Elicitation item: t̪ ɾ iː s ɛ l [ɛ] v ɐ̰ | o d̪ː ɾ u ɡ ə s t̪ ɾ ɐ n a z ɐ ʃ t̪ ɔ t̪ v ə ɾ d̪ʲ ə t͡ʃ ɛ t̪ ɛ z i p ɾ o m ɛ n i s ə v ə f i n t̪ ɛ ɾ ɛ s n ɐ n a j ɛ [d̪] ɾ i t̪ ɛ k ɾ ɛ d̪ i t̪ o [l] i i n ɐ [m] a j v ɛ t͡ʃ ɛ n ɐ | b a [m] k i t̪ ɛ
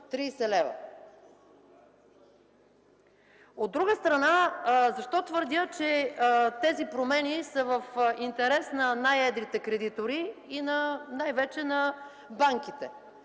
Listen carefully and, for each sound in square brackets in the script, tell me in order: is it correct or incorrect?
correct, correct, incorrect: ɾ, incorrect: n, incorrect: ŋ

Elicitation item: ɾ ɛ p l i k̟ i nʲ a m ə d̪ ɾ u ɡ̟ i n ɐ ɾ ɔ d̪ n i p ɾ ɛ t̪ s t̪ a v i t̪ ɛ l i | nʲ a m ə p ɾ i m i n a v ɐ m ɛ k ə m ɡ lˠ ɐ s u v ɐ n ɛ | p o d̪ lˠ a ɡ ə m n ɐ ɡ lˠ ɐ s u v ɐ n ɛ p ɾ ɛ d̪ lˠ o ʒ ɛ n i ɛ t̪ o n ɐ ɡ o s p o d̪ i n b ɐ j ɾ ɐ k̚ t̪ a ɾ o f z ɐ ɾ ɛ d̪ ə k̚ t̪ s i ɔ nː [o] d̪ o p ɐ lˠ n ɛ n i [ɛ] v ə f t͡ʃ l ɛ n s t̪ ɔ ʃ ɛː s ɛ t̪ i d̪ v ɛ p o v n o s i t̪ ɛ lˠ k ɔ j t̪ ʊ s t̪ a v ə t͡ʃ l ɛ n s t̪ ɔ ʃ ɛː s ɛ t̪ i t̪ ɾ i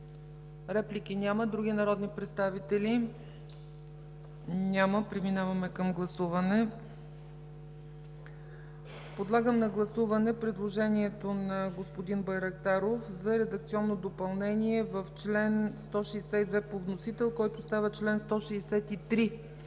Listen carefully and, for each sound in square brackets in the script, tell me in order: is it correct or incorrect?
correct, correct

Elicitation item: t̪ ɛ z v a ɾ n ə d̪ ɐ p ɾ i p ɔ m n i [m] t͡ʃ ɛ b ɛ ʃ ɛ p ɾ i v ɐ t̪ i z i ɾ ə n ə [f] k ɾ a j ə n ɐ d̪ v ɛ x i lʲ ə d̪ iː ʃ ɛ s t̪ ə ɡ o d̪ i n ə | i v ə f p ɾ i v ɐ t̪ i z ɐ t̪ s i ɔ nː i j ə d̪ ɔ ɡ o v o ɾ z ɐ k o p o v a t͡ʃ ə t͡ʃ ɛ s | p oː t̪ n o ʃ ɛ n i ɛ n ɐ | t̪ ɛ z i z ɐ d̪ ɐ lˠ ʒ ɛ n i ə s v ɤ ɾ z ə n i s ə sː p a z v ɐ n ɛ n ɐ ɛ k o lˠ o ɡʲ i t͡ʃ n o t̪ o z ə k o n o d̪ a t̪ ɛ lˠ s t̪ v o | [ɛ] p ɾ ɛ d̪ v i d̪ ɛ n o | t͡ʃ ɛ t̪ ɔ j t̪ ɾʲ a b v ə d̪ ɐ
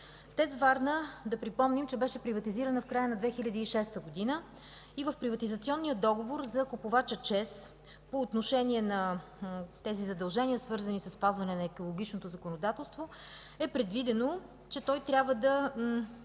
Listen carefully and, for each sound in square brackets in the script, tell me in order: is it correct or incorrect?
correct, correct, correct

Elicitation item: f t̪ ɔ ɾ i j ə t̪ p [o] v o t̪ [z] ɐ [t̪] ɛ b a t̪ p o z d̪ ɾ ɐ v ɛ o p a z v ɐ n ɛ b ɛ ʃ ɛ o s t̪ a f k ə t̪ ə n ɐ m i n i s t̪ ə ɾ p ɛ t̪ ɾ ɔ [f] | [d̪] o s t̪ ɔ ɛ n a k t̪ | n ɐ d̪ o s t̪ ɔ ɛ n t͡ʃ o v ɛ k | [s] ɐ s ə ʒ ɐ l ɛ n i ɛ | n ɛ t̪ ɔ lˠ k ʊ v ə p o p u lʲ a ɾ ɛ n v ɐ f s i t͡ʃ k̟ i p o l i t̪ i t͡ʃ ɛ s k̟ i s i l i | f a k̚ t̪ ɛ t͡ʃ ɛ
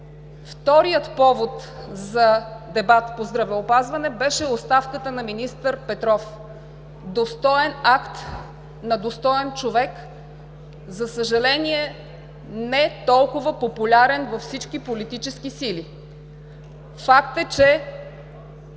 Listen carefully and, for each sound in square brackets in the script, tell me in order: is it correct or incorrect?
incorrect: ɔ, correct, incorrect: d̪, correct, correct, incorrect: z

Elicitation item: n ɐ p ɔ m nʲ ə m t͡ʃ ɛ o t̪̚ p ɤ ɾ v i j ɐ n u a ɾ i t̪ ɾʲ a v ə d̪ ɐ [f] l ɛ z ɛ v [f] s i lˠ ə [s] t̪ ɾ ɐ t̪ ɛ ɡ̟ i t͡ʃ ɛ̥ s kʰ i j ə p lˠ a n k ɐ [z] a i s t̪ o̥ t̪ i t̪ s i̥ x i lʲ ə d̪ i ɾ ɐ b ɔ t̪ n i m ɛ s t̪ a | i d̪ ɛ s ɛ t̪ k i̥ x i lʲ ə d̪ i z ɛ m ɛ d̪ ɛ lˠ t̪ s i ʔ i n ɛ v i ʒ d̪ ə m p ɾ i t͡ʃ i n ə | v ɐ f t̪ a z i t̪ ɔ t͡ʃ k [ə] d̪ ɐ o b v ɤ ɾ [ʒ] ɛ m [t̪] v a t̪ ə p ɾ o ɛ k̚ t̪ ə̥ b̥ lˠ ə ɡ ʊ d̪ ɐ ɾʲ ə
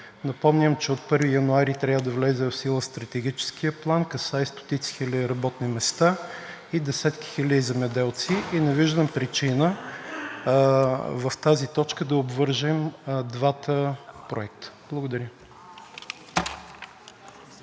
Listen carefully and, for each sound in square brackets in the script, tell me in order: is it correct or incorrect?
incorrect: v, correct, correct, incorrect: s, correct, correct, incorrect: d̪

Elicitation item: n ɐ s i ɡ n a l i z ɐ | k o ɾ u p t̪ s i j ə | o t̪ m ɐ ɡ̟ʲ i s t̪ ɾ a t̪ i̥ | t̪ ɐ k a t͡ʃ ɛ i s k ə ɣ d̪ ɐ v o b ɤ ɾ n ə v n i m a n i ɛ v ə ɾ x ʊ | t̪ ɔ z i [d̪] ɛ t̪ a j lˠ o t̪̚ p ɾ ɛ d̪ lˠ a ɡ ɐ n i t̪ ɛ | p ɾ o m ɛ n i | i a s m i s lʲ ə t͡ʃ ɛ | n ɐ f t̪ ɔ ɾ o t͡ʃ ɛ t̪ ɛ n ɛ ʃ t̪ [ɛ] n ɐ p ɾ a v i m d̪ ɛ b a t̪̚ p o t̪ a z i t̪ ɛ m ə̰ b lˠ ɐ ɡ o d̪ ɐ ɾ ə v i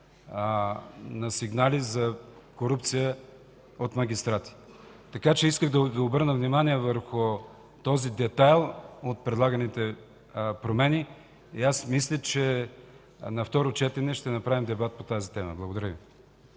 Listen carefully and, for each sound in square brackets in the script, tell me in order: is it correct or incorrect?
correct, correct

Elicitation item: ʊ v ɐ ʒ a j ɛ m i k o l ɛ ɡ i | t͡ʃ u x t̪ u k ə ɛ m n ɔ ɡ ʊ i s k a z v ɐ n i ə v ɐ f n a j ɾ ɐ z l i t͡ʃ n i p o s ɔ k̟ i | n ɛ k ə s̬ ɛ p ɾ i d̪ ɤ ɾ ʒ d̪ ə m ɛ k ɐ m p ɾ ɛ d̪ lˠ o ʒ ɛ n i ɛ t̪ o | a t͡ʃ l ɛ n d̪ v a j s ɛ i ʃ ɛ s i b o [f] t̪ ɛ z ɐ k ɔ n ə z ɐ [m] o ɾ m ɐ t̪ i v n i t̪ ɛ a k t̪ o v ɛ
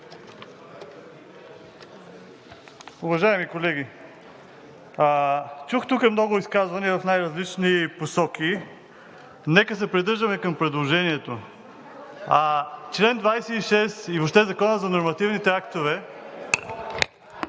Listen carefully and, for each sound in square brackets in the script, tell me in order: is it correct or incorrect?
incorrect: ʃ, incorrect: n

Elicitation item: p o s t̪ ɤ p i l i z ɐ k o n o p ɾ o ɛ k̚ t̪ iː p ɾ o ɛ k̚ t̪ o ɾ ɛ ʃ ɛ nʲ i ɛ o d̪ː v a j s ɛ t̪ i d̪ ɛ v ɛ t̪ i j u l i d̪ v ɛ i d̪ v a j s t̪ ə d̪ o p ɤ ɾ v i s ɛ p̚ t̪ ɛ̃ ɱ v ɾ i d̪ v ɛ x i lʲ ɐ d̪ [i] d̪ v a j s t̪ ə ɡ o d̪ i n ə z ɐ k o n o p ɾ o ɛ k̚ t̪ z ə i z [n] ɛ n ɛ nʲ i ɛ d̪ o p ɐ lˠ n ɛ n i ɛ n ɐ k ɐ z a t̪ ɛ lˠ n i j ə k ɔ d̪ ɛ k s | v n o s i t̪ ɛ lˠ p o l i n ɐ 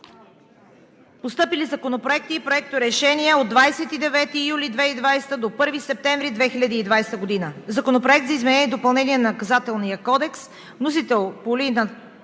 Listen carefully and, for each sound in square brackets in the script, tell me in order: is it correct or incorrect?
incorrect: iː, incorrect: m

